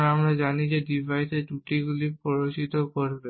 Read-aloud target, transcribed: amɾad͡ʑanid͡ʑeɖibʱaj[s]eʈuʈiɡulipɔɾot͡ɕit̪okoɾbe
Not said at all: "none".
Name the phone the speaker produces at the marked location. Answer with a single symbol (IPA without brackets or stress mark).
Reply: s